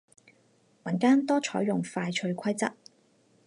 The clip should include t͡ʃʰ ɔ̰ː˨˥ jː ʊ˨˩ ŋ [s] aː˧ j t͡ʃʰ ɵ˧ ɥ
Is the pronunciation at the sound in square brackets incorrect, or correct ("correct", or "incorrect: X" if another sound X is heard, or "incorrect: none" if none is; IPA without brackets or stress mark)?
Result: incorrect: f